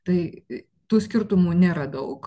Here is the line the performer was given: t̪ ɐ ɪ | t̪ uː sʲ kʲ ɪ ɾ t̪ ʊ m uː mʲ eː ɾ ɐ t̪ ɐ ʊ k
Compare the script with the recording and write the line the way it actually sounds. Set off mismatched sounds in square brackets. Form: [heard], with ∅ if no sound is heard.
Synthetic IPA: t̪ ɐ ɪ | t̪ uː sʲ kʲ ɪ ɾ t̪ ʊ m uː [nʲ] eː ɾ ɐ [d̪] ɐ ʊ k